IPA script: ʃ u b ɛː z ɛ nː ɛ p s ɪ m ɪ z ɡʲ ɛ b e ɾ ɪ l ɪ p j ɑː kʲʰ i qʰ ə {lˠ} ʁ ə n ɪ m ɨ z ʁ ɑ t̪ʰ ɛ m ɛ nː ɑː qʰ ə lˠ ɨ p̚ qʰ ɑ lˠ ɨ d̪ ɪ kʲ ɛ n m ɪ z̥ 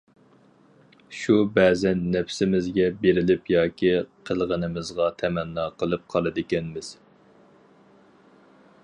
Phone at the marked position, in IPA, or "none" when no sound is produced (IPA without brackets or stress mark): lˠ